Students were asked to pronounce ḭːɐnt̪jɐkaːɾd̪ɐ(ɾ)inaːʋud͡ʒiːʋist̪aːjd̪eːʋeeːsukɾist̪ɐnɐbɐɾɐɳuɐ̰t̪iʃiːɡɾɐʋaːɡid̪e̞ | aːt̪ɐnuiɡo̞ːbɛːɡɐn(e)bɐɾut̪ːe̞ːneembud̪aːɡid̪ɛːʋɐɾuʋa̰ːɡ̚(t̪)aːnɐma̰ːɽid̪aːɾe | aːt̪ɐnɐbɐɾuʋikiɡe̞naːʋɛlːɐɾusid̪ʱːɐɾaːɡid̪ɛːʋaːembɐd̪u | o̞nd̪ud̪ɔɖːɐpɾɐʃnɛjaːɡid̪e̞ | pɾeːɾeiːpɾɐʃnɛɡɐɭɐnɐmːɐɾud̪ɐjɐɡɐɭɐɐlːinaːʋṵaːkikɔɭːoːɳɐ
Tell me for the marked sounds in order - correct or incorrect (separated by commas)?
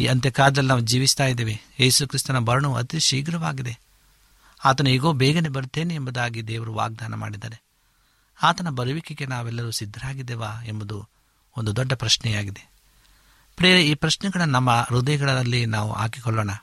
incorrect, correct, incorrect